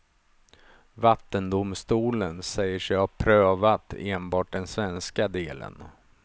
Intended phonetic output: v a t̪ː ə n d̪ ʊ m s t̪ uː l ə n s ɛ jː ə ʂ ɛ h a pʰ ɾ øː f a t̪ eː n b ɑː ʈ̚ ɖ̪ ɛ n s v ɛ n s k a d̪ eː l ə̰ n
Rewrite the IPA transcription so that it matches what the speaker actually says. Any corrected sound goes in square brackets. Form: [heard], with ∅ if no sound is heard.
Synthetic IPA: v a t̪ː ə n d̪ ʊ m s t̪ uː l ə n s ɛ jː ə ʂ ɛ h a pʰ ɾ øː [v] a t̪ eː n b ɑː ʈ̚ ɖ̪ ɛ n s v ɛ n s k a d̪ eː l ə̰ n